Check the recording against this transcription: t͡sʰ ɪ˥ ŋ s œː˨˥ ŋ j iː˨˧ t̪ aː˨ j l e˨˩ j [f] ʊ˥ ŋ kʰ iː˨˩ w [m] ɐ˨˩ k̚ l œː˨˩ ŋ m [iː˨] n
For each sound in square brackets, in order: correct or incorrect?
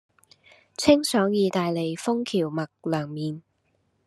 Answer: correct, correct, correct

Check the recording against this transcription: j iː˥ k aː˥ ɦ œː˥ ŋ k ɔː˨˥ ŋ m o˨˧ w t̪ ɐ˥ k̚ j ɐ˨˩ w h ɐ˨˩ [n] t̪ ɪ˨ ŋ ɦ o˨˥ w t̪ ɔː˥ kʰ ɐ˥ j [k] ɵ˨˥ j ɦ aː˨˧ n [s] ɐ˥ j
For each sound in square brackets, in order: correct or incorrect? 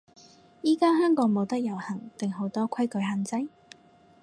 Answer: incorrect: ŋ, correct, incorrect: t͡s

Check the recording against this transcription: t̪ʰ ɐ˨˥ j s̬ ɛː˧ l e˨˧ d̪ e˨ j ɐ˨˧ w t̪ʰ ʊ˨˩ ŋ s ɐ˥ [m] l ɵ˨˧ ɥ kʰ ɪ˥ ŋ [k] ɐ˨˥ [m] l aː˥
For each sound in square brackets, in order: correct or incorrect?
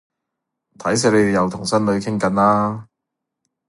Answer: incorrect: n, correct, incorrect: n

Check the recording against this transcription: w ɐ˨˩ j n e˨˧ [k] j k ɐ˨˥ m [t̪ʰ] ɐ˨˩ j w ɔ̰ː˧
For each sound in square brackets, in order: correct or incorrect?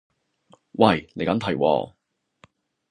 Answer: incorrect: none, correct

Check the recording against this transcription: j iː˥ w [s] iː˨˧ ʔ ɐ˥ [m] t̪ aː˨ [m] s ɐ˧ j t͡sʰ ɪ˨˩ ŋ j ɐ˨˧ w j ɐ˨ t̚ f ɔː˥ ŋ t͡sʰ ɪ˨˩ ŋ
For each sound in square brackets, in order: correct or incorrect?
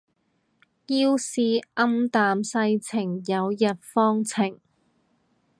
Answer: correct, correct, correct

